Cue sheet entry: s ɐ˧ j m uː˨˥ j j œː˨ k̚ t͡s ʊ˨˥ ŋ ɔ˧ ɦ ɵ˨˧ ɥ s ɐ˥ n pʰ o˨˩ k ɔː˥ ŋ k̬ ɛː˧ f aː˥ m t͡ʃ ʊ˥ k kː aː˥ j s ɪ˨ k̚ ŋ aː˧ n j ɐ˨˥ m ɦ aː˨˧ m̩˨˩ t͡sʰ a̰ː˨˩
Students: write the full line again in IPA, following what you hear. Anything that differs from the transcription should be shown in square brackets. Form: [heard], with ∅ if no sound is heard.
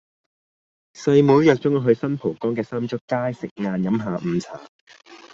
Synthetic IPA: s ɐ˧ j m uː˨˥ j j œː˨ k̚ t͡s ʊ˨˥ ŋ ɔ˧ ɦ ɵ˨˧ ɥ s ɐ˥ n pʰ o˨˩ k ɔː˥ ŋ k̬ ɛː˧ [s] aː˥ m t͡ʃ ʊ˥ k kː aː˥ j s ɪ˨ k̚ ŋ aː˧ n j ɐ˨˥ m ɦ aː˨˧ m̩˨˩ t͡sʰ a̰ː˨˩